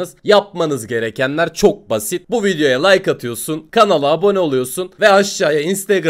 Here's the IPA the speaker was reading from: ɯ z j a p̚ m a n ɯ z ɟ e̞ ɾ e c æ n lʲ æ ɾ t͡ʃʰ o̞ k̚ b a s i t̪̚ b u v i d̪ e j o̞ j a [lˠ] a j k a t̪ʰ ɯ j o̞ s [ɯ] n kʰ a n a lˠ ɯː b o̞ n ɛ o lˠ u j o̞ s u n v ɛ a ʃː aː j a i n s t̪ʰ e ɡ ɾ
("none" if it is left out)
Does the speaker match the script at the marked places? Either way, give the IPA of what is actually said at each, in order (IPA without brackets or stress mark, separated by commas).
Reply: lˠ, u